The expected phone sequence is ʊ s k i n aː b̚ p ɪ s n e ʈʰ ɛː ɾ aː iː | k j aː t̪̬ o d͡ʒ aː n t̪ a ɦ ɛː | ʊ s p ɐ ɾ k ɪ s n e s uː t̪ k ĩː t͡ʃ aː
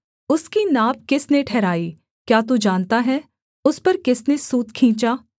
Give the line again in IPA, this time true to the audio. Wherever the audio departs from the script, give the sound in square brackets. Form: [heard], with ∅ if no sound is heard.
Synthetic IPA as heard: ʊ s k i n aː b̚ [k] ɪ s n e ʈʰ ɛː ɾ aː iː | k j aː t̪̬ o d͡ʒ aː n t̪ a ɦ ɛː | ʊ s p ɐ ɾ k ɪ s n e s uː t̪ [kʰ] ĩː t͡ʃ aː